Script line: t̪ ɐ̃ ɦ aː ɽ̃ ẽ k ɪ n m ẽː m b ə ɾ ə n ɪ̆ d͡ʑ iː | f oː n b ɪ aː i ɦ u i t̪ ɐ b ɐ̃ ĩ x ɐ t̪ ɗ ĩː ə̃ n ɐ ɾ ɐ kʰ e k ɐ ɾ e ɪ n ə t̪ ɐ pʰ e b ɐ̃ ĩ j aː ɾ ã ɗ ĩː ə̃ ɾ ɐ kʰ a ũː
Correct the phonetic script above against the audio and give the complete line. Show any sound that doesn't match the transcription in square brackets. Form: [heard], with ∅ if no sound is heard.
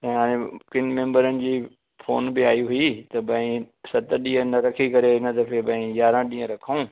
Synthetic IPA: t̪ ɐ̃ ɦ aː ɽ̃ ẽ k ɪ n m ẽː m b ə ɾ ə n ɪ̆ d͡ʑ iː | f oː n b ɪ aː i ɦ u i t̪ ɐ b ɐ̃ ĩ [s] ɐ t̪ ɗ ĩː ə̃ n ɐ ɾ ɐ kʰ [i] k ɐ ɾ e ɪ n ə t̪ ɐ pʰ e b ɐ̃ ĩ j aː ɾ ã ɗ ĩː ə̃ ɾ ɐ kʰ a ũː

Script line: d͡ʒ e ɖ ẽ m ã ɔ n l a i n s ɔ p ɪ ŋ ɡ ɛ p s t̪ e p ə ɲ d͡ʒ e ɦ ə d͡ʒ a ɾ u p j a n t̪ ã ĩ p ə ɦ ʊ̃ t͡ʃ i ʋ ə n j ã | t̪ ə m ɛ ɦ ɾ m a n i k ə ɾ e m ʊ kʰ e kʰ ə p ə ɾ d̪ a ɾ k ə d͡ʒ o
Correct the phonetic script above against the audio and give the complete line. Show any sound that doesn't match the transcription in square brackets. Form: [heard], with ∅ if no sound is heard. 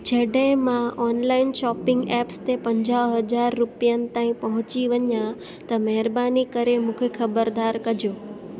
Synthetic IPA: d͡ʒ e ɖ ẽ m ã ɔ n l a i n [ʃ] ɔ p ɪ ŋ ɡ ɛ p s t̪ e p ə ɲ d͡ʒ [a] ɦ ə d͡ʒ a [ɾː] u p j a n t̪ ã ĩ p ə ɦ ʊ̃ t͡ʃ i ʋ ə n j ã | t̪ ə m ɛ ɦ ɾ [b] a n i k ə ɾ e m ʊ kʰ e kʰ ə [b] ə ɾ d̪ a ɾ k ə d͡ʒ o

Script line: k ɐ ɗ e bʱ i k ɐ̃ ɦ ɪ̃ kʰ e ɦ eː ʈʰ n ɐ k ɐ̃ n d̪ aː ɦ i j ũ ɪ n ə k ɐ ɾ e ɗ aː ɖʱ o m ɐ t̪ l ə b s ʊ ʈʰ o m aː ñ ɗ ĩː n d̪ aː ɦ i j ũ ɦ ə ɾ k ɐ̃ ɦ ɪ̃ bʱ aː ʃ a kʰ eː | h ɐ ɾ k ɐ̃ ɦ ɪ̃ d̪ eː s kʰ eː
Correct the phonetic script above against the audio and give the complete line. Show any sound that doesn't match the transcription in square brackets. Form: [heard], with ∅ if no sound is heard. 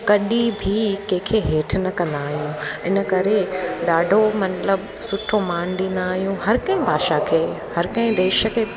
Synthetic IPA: k ɐ ɗ [i] bʱ i k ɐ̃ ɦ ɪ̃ kʰ e ɦ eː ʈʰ n ɐ k ɐ̃ n d̪ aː ɦ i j ũ ɪ n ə k ɐ ɾ e ɗ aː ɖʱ o m ɐ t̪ l ə b s ʊ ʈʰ o m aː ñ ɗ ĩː n d̪ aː ɦ i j ũ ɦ [ɐ] ɾ k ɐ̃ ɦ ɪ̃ bʱ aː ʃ a kʰ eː | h ɐ ɾ k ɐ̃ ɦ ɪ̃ d̪ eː [ʃ] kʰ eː

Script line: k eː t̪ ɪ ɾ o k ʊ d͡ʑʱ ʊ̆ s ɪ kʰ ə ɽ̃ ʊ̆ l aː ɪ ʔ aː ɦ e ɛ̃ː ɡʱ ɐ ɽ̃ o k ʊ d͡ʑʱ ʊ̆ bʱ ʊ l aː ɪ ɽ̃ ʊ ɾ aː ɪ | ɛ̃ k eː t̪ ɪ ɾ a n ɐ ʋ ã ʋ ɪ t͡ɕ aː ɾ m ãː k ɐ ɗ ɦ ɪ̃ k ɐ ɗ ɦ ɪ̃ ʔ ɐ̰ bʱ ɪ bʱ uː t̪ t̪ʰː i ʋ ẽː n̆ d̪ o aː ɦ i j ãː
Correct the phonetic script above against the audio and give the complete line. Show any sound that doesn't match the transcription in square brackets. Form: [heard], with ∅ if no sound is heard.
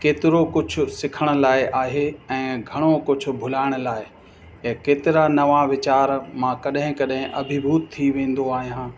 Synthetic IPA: k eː t̪ ɪ ɾ o k ʊ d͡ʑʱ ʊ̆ s ɪ kʰ ə ɽ̃ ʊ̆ l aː ɪ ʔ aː ɦ e ɛ̃ː ɡʱ ɐ ɽ̃ o k ʊ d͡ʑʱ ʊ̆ bʱ ʊ l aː ɪ ɽ̃ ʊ [l] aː ɪ | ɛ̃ k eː t̪ ɪ ɾ a n ɐ ʋ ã ʋ ɪ t͡ɕ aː ɾ m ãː k ɐ ɗ ɦ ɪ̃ k ɐ ɗ ɦ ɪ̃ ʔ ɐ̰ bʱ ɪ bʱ uː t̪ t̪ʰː i ʋ ẽː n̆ d̪ o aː ɦ i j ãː

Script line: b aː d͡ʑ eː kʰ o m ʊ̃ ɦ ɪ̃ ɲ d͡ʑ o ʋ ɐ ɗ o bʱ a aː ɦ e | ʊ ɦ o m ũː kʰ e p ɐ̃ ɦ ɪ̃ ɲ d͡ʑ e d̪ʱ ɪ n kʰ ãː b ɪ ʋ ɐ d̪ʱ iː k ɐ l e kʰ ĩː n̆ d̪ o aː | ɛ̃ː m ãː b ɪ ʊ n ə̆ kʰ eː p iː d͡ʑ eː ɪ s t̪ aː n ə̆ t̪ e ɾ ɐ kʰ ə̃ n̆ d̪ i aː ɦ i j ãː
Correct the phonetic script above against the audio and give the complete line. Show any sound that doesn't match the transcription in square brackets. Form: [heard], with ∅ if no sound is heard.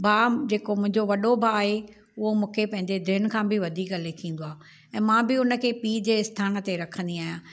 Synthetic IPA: b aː d͡ʑ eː [k] o m ʊ̃ ɦ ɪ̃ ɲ d͡ʑ o ʋ ɐ ɗ o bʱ a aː ɦ e | ʊ ɦ o m ũː kʰ e p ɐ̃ ɦ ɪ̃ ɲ d͡ʑ e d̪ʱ ɪ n kʰ ãː b ɪ ʋ ɐ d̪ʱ iː k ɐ l e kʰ ĩː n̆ d̪ o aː | ɛ̃ː m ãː b ɪ ʊ n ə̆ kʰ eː p iː d͡ʑ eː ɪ s [t̪ʰ] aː n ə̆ t̪ e ɾ ɐ kʰ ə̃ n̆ d̪ i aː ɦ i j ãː

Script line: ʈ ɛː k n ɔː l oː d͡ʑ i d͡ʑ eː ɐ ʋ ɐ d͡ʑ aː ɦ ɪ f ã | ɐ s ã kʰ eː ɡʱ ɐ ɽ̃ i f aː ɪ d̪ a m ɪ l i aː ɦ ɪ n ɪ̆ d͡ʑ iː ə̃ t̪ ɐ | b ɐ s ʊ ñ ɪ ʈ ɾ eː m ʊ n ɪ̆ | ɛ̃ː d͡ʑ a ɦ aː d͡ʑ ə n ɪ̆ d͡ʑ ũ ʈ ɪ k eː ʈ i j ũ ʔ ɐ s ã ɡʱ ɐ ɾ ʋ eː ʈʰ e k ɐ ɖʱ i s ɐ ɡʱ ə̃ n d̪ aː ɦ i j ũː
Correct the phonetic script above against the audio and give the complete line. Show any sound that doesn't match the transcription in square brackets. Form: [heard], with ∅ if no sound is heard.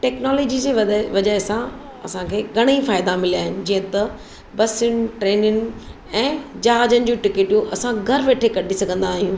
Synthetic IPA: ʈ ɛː k n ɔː l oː d͡ʑ i d͡ʑ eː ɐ ʋ ɐ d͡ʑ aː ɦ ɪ [s] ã | ɐ s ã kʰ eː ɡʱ ɐ ɽ̃ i f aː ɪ d̪ a m ɪ l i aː ɦ ɪ n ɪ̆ d͡ʑ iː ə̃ t̪ ɐ | b ɐ s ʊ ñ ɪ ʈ ɾ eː [n] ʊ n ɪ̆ | ɛ̃ː d͡ʑ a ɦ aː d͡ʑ ə n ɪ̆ d͡ʑ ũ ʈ ɪ k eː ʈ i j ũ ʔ ɐ s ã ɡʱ ɐ ɾ ʋ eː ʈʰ e k ɐ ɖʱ i s ɐ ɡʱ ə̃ n d̪ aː ɦ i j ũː

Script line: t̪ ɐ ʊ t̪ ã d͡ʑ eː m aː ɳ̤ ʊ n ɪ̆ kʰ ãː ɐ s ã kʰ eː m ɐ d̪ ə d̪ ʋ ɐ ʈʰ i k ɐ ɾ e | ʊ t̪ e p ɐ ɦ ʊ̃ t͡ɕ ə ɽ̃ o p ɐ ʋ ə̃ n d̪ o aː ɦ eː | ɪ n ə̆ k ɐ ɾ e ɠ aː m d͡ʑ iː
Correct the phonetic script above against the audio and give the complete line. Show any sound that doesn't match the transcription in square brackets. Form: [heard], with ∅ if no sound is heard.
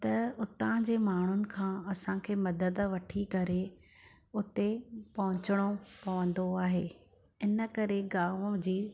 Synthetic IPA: t̪ ɐ ʊ t̪ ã d͡ʑ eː m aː ɳ̤ ʊ n ɪ̆ kʰ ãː ɐ s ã kʰ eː m ɐ d̪ ə d̪ ʋ ɐ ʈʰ i k ɐ ɾ e | ʊ t̪ e p ɐ ɦ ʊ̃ t͡ɕ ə ɽ̃ o p ɐ ʋ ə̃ n d̪ o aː ɦ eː | ɪ n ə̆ k ɐ ɾ e [ɡ] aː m d͡ʑ iː

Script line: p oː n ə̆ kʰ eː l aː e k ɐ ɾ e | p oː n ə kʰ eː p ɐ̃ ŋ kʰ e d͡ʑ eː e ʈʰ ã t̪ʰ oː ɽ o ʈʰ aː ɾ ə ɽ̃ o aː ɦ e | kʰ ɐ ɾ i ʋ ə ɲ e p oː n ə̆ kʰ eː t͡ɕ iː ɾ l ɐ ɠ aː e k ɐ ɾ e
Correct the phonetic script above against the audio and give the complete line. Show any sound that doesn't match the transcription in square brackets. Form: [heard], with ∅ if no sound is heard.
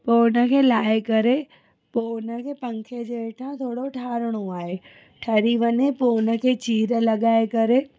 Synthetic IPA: p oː n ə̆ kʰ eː l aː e k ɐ ɾ e | p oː n ə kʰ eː p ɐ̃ ŋ kʰ e d͡ʑ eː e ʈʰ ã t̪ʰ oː ɽ o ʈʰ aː ɾ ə ɽ̃ o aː ɦ e | [ʈʰ] ɐ ɾ i ʋ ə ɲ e p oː n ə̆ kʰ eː t͡ɕ iː ɾ l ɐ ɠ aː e k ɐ ɾ e

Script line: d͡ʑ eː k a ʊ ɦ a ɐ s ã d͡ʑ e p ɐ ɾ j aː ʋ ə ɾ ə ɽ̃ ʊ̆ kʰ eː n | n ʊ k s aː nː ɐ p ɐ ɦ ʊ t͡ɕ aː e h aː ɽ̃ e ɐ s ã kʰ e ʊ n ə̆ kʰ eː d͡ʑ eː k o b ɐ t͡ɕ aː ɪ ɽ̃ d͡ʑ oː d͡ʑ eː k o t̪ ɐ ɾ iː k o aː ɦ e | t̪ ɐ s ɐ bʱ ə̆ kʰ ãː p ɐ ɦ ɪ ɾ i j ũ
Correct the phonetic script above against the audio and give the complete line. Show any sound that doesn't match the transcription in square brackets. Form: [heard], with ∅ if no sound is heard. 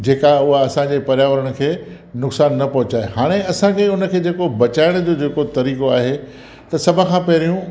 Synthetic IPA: d͡ʑ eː k a ʊ ɦ a ɐ s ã d͡ʑ e p ɐ ɾ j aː ʋ ə ɾ ə ɽ̃ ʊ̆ kʰ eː [∅] | n ʊ k s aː nː ɐ p ɐ ɦ ʊ t͡ɕ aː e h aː ɽ̃ e ɐ s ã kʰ e ʊ n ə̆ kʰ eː d͡ʑ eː k o b ɐ t͡ɕ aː ɪ ɽ̃ d͡ʑ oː d͡ʑ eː k o t̪ ɐ ɾ iː k o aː ɦ e | t̪ ɐ s ɐ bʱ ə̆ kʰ ãː p ɐ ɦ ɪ ɾ i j ũ

